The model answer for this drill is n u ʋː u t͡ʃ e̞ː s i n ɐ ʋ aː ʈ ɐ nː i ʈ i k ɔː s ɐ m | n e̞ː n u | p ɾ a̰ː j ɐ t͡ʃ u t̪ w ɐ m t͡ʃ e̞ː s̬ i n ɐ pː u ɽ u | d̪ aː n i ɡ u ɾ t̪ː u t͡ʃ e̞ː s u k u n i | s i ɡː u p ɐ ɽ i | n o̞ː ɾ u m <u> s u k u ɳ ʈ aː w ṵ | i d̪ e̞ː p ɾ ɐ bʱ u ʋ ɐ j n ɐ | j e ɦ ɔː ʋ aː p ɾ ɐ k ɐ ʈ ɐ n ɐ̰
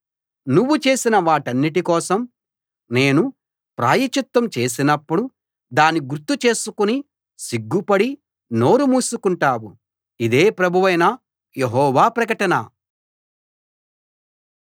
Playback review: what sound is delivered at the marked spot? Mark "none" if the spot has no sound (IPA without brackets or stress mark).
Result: uː